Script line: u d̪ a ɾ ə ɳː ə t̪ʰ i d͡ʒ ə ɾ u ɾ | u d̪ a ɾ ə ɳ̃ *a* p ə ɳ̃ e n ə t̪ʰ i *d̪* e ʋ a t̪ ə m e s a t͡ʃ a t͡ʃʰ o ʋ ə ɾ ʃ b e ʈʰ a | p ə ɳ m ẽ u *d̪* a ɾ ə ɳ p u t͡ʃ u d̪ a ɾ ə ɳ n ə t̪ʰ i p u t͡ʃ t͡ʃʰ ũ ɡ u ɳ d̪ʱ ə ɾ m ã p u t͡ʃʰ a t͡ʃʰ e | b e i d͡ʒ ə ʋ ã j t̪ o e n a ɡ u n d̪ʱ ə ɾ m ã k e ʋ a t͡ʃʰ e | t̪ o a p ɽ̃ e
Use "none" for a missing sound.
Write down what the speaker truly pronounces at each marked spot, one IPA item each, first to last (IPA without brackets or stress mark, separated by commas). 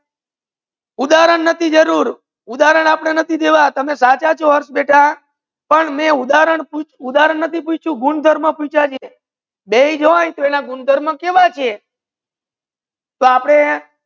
a, d̪, d̪